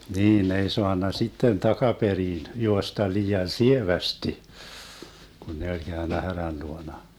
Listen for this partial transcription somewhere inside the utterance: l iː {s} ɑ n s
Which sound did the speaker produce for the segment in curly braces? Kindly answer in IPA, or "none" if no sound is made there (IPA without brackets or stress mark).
none